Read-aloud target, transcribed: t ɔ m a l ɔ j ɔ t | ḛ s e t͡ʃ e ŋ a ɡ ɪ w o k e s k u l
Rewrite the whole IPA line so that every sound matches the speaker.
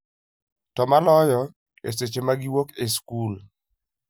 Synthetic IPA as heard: t ɔ m a l ɔ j ɔ | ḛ s e t͡ʃ e m a ɡ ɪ w o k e s k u l